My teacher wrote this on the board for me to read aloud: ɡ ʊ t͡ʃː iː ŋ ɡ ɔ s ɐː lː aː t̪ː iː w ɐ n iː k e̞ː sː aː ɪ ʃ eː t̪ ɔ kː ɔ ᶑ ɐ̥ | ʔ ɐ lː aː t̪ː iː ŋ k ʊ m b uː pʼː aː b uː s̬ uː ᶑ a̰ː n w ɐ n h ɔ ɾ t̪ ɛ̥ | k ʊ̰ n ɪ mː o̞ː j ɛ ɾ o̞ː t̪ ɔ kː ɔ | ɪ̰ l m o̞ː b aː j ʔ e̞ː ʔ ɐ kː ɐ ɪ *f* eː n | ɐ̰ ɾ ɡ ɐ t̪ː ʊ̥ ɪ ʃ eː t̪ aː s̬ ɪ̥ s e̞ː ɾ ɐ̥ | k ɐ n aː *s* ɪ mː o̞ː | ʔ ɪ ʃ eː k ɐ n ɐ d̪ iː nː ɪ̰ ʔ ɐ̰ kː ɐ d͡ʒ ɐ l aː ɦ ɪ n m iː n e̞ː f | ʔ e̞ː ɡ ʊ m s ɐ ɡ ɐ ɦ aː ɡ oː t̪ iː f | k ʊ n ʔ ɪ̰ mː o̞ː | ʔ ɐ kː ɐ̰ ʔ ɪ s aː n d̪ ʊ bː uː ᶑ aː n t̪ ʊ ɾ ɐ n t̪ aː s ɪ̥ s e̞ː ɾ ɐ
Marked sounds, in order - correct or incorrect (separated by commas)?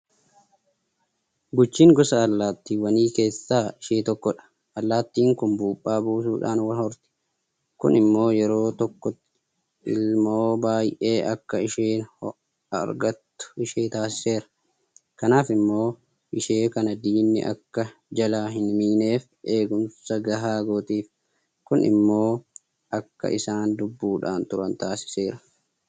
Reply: incorrect, incorrect